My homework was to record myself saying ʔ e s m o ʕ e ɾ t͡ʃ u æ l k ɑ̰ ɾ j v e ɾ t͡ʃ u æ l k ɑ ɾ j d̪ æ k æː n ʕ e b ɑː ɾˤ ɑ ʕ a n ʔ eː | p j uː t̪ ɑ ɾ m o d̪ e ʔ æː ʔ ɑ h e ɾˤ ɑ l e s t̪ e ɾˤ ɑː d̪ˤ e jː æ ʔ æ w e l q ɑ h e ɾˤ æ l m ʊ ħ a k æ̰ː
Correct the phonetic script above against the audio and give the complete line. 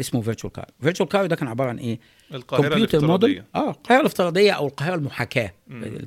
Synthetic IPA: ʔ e s m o v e ɾ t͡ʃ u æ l k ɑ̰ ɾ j v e ɾ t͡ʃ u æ l k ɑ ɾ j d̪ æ k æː n ʕ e b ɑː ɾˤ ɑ ʕ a n ʔ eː | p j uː t̪ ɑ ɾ m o d̪ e ʔ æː q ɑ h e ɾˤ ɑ l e f t̪ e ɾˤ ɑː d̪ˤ e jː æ ʔ æ w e l q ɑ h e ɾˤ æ l m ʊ ħ a k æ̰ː